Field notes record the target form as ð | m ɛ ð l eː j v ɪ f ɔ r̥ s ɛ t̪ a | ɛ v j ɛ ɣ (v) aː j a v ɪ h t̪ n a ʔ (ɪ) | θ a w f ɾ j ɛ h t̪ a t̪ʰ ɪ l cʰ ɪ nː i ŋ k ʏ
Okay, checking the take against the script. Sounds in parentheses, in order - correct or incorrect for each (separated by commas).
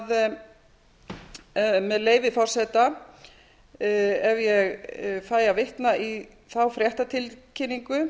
incorrect, incorrect